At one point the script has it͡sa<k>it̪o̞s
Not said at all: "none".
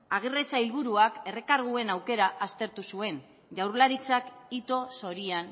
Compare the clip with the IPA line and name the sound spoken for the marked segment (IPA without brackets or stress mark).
k